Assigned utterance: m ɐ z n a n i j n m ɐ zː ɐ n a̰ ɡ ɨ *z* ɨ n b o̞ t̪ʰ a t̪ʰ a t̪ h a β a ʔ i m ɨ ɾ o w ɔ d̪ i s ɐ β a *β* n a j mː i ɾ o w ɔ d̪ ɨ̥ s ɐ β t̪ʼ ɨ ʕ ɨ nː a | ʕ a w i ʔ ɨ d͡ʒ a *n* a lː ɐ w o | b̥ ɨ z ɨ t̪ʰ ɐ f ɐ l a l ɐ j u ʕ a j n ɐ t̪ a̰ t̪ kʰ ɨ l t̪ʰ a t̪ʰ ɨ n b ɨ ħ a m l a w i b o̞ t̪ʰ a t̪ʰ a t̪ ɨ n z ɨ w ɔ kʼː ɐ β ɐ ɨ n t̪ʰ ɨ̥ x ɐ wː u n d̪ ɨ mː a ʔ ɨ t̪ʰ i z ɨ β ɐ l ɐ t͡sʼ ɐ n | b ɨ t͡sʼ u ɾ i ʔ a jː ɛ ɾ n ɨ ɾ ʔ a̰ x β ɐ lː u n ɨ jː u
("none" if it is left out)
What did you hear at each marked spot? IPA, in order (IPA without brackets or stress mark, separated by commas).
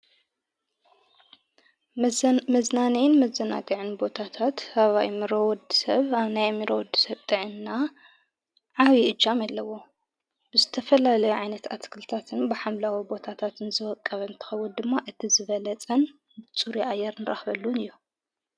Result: ʕ, β, m